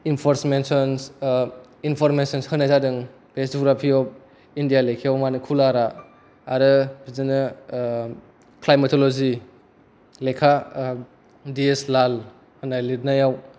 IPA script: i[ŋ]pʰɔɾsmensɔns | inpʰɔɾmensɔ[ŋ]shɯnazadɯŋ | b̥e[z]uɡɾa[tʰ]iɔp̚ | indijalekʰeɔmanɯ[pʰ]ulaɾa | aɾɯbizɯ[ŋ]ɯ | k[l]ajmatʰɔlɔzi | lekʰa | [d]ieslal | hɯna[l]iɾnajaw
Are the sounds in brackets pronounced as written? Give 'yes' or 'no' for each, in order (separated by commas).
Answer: no, no, no, no, no, no, yes, yes, yes